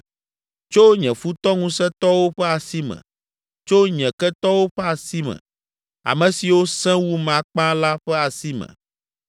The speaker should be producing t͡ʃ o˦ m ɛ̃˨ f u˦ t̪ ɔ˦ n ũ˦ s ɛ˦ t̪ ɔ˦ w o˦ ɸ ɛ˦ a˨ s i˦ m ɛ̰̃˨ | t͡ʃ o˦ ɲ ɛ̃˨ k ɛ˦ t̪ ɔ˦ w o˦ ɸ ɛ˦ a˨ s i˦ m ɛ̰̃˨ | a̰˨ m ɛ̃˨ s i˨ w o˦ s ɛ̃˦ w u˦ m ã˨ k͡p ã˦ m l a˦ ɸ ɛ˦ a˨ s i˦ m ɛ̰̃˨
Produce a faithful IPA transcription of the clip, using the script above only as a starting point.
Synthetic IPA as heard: t͡ʃ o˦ ɲ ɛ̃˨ f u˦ t̪ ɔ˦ ŋ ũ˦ s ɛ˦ t̪ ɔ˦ w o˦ ɸ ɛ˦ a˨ s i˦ m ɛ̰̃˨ | t͡ʃ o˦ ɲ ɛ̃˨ k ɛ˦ t̪ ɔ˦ w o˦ ɸ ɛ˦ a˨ s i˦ m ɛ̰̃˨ | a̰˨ m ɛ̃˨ s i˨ w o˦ s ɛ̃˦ w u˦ m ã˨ k͡p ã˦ l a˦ ɸ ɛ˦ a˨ s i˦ m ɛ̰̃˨